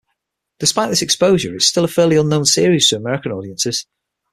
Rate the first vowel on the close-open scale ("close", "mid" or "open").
close